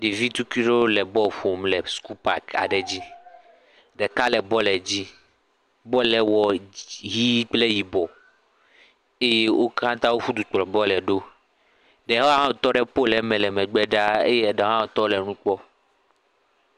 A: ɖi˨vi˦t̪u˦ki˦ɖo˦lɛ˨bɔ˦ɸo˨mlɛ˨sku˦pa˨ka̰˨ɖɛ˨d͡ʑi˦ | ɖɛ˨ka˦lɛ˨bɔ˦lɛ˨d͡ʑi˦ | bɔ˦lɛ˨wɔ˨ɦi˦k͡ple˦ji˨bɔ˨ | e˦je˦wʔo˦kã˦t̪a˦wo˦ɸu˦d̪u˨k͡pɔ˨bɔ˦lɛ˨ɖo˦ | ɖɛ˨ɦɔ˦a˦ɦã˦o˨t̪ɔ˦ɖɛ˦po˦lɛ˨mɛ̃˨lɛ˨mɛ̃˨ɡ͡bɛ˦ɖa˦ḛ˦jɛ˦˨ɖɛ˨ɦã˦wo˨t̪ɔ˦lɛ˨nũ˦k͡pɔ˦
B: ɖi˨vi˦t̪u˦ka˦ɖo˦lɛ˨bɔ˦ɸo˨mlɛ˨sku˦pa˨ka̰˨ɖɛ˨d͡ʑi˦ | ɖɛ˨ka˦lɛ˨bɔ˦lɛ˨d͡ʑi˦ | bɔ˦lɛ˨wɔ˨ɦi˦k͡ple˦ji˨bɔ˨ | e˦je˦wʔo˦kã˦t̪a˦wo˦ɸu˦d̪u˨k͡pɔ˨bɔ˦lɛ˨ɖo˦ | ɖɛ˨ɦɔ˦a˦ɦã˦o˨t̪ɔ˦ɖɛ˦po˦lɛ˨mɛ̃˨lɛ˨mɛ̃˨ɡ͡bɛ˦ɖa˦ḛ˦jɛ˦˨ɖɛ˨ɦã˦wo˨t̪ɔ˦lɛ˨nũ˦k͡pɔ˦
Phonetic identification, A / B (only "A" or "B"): A